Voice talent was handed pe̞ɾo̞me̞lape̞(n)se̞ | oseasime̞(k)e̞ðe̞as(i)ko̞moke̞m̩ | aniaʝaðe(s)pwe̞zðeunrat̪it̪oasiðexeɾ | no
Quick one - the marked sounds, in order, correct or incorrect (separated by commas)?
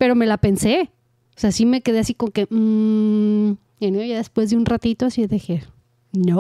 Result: correct, correct, correct, correct